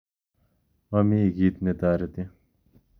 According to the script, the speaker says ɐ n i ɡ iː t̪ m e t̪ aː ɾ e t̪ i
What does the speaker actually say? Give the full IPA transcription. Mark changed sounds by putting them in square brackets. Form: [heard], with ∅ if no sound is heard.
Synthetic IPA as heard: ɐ [m] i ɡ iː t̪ [n] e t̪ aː ɾ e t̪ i